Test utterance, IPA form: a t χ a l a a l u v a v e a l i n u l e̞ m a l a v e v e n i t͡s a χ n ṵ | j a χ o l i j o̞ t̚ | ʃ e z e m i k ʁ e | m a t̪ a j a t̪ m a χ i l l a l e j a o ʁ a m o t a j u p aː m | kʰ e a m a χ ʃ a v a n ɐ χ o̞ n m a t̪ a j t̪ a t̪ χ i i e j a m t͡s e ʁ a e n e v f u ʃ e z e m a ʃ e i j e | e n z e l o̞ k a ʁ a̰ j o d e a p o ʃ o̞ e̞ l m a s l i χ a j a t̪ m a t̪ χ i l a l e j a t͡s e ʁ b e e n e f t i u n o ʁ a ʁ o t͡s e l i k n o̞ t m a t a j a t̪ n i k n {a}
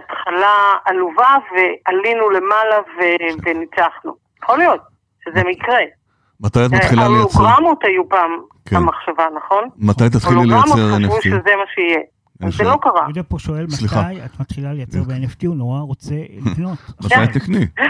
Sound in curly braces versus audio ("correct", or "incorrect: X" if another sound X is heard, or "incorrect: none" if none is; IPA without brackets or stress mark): incorrect: i